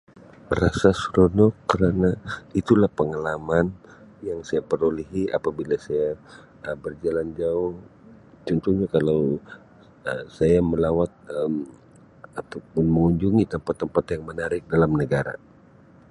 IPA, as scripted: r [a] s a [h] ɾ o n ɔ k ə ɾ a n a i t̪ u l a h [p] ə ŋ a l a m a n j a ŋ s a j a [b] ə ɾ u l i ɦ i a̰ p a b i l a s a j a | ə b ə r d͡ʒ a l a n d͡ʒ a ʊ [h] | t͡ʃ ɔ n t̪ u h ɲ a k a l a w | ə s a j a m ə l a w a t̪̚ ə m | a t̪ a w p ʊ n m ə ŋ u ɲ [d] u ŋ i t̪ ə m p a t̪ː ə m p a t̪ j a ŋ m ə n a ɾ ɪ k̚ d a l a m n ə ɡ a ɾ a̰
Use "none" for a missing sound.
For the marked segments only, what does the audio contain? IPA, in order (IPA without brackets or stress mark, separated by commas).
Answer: a, s, p, p, h, d͡ʒ